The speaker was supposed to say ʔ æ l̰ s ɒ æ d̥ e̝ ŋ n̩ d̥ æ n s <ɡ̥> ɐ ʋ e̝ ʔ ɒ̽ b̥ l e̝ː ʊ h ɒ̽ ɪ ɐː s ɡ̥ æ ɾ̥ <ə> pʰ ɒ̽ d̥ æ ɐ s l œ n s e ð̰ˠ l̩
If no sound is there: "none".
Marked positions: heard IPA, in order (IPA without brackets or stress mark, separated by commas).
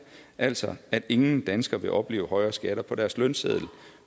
ɡ̥, ɐ